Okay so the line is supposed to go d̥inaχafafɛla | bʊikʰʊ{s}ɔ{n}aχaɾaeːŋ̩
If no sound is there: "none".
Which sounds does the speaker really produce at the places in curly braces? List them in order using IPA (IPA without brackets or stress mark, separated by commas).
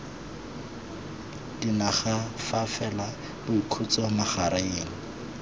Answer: t͡s, m